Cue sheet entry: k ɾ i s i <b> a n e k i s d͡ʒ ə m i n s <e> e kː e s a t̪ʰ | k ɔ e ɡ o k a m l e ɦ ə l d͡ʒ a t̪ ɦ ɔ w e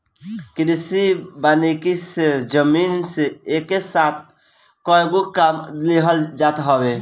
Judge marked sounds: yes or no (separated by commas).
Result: yes, yes